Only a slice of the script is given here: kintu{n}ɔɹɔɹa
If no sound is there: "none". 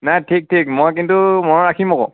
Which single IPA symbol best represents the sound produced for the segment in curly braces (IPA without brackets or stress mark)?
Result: m